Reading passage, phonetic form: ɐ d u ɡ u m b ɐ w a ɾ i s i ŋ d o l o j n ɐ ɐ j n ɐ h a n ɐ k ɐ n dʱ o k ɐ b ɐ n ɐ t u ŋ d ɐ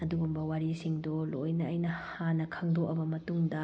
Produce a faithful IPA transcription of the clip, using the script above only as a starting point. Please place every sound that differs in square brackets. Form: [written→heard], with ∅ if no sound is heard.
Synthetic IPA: ɐ d u ɡ u m b ɐ w a ɾ i s i ŋ d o l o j n ɐ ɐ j n ɐ h a n ɐ [k→kʰ] ɐ [n→ŋ] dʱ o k ɐ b ɐ [n→m] ɐ t u ŋ d ɐ